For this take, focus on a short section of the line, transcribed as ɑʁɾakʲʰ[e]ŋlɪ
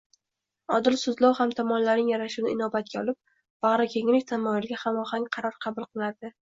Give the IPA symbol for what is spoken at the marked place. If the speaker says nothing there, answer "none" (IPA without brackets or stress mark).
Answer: e